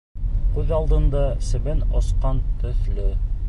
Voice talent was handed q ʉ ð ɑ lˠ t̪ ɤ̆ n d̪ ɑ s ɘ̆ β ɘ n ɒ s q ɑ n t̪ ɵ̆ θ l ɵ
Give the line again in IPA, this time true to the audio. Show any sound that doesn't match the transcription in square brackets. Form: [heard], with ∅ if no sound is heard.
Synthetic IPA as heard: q ʉ ð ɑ lˠ [d̪] ɤ̆ n d̪ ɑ s ɘ̆ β ɘ n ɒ s q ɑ n t̪ ɵ̆ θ l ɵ